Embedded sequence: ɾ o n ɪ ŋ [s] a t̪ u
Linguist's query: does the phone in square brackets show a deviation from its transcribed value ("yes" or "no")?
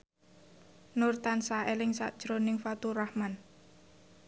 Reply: yes